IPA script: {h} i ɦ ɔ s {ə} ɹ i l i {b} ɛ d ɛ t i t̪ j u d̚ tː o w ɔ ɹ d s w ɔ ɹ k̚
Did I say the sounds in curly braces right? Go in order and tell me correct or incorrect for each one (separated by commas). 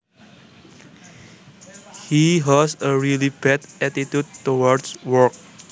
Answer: correct, correct, correct